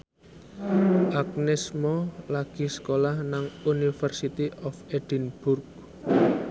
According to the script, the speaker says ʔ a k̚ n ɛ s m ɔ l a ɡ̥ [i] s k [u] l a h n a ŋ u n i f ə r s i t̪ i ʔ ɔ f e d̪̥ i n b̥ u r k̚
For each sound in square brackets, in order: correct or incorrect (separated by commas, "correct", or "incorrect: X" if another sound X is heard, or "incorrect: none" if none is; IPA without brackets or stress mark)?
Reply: correct, incorrect: o